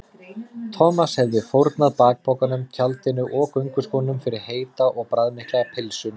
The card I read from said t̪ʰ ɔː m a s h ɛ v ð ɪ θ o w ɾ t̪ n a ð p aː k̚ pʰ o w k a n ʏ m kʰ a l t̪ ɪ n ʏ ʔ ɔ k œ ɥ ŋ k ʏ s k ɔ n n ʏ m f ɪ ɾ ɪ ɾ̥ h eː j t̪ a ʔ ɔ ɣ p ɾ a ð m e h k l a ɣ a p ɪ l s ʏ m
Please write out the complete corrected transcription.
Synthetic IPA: t̪ʰ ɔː m a s h ɛ v ð ɪ f o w ɾ t̪ n a ð p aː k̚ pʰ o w k a n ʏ m cʰ a l t̪ ɪ n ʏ ʔ ɔ k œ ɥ ŋ k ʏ s k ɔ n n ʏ m f ɪ ɾ ɪ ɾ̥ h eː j t̪ a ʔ ɔ ɣ p ɾ a ð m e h k l a ɣ a pʰ ɪ l s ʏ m